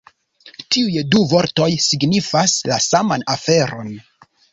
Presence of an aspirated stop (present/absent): absent